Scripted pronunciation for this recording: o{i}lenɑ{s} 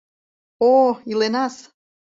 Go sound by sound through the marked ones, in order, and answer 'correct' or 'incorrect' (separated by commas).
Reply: correct, correct